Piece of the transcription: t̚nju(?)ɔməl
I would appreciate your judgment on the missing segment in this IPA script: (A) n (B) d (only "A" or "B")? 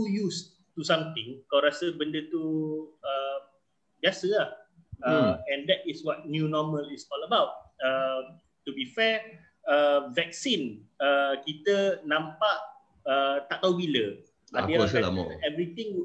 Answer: A